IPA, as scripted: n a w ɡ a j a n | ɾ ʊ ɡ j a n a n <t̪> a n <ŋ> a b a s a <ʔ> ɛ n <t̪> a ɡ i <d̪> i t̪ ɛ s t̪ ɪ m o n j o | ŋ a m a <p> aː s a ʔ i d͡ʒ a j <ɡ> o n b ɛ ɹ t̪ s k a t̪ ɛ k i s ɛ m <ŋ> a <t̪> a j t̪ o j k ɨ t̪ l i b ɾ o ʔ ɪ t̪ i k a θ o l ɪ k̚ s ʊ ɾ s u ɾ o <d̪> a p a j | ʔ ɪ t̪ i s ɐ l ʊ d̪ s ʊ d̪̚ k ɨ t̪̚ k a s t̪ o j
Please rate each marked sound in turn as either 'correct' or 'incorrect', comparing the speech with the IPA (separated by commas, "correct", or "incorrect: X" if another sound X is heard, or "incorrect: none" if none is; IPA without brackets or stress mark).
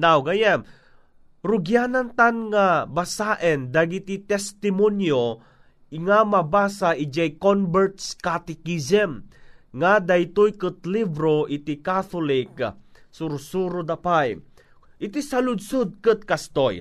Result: correct, correct, correct, incorrect: d̪, incorrect: t̪, incorrect: b, incorrect: k, correct, incorrect: d̪, correct